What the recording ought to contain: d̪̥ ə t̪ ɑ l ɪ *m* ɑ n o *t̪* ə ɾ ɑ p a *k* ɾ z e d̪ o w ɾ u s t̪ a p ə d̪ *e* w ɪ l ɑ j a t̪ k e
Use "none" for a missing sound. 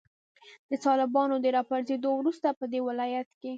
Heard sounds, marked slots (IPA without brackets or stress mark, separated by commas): b, d̪, none, e